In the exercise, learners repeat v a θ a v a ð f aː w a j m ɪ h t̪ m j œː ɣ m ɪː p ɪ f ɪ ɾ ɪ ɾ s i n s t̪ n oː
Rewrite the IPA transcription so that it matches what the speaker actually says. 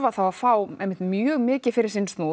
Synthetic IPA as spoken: v a θ a w a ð f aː w ɛ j m ɪ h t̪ m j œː ɣ m ɪː c ɪ f ɪ ɾ ɪ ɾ s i n s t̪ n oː